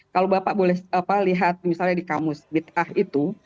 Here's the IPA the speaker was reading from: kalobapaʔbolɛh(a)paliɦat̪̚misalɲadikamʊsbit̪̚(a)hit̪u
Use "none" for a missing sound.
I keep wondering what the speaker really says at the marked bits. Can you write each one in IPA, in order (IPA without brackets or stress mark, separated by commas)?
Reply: a, a